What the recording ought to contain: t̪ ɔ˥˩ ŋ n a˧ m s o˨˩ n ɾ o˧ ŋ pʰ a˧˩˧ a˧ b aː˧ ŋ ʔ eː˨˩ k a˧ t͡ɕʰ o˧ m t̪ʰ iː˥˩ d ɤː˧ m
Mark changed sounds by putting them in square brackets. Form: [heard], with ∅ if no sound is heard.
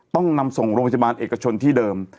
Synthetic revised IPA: t̪ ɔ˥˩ ŋ n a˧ m s o˨˩ [ŋ] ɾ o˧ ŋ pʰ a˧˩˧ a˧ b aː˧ [n] ʔ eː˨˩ k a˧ t͡ɕʰ o˧ [n] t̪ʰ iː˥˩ d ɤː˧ m